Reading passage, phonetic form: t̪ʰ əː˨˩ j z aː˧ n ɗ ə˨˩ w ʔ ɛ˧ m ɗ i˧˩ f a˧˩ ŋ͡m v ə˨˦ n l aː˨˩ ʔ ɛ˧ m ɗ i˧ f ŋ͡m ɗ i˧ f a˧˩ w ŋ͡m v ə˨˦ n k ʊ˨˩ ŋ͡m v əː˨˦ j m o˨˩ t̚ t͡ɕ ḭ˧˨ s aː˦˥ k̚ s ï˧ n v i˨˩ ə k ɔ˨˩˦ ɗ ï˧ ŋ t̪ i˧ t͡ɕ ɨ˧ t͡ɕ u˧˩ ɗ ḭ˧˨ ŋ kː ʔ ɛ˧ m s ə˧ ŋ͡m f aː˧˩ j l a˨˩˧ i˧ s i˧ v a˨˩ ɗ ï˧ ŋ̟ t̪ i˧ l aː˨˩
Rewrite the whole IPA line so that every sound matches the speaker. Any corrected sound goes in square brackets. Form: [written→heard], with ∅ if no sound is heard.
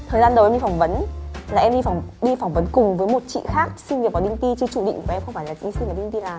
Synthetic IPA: t̪ʰ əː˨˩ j z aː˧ n ɗ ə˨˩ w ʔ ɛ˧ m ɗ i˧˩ f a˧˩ ŋ͡m v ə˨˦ n l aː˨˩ ʔ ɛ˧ m ɗ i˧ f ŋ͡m ɗ i˧ f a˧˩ w ŋ͡m v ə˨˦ n k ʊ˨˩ ŋ͡m v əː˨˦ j m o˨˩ t̚ t͡ɕ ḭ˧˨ [s→x] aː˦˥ k̚ s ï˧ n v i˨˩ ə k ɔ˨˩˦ ɗ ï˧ ŋ t̪ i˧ t͡ɕ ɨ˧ t͡ɕ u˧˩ ɗ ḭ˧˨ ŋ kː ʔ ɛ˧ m [s→x] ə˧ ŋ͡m f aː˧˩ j l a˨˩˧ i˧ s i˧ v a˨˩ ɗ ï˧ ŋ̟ t̪ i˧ l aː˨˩